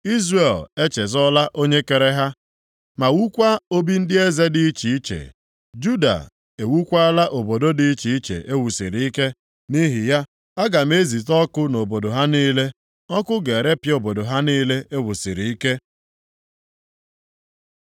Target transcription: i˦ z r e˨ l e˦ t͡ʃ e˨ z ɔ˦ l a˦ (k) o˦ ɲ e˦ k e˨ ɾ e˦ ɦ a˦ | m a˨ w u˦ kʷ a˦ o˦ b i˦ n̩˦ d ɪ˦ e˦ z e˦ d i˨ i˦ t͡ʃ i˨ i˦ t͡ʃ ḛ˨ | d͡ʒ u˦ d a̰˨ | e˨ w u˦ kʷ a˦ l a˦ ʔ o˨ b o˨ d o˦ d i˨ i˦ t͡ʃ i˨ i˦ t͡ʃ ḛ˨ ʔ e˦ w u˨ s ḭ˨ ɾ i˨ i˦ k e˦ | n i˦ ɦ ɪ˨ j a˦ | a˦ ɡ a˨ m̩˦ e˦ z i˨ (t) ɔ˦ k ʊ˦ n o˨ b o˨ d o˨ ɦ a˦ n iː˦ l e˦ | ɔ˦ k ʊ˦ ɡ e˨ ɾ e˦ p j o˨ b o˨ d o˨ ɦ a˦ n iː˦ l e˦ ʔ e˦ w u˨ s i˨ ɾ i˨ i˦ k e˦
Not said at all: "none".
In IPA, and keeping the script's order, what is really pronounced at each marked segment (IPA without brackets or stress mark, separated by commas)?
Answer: ʔ, t